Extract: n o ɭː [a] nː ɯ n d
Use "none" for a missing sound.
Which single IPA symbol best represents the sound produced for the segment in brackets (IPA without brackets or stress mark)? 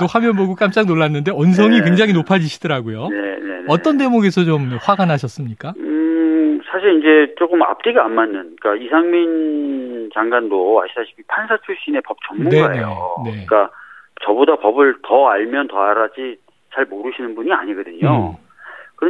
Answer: a